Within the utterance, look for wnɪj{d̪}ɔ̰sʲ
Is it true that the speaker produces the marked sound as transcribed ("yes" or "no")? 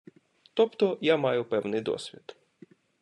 yes